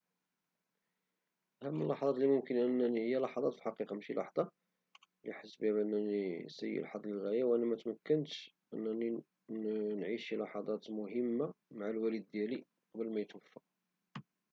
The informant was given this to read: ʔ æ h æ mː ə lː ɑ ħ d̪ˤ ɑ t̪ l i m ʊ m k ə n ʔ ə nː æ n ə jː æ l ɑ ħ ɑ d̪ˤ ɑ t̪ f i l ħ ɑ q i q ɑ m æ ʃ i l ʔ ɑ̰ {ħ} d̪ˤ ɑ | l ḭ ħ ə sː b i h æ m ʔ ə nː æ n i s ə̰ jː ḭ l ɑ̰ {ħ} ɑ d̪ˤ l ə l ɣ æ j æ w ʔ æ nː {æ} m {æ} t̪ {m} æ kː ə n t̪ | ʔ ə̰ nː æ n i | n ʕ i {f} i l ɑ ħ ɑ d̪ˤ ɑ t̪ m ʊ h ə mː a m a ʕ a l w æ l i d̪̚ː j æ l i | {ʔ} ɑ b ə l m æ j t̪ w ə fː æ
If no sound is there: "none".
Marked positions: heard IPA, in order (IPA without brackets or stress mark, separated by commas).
ħ, ħ, æ, æ, m, ʃ, q